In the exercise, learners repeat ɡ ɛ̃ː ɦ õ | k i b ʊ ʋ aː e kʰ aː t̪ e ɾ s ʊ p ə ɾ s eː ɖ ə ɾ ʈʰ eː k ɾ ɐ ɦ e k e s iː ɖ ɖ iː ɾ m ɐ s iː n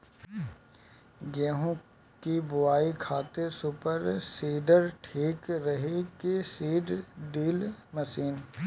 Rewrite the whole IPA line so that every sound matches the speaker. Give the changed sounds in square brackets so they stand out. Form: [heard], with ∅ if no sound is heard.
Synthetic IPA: ɡ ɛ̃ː ɦ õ | k i b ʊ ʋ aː [i] kʰ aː t̪ e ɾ s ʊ p ə ɾ s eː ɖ ə ɾ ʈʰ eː k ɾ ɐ ɦ e k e s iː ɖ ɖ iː [l] m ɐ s iː n